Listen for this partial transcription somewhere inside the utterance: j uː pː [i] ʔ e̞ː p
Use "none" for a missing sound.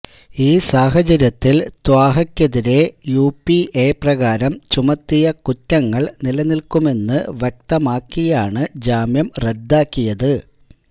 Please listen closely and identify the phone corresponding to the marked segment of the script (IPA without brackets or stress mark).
i